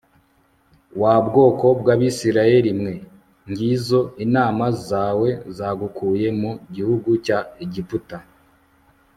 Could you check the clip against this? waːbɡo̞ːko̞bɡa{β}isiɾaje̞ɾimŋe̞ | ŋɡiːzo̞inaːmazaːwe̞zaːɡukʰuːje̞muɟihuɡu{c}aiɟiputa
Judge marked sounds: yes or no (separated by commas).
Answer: yes, yes